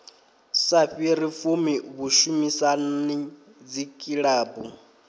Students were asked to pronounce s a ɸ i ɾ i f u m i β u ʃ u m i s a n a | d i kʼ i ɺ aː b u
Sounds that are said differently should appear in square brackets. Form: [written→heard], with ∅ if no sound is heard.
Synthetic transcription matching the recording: s a ɸ i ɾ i f u m i β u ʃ u m i s a n [a→i] | [d→d͡z] i kʼ i ɺ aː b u